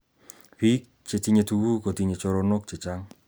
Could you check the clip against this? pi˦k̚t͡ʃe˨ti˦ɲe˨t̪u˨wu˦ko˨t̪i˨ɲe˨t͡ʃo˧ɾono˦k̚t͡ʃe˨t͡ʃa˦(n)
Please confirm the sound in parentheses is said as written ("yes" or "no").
no